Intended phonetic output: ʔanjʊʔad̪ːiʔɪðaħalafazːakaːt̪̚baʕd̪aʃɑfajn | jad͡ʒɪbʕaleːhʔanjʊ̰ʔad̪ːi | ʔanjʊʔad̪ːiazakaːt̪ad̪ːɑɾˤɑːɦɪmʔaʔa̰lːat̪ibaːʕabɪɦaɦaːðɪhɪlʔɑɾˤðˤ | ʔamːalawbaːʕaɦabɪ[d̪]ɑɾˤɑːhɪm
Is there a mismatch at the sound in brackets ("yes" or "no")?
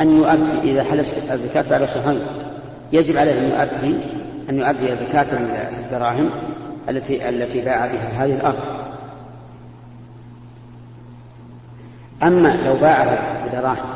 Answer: no